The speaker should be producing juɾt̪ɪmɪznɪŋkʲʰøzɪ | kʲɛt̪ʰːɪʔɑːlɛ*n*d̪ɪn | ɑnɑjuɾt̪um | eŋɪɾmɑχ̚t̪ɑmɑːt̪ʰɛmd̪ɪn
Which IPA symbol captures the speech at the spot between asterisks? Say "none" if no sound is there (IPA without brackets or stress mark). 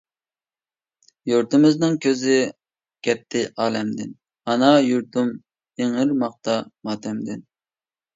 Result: m